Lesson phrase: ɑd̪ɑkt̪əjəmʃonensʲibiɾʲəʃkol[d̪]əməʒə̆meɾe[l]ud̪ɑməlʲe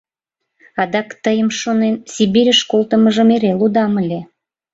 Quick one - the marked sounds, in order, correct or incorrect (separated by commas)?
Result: incorrect, correct